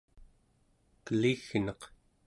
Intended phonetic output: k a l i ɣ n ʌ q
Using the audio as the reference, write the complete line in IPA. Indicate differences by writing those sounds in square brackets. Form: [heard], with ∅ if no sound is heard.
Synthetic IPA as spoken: k [ə] l i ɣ n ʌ q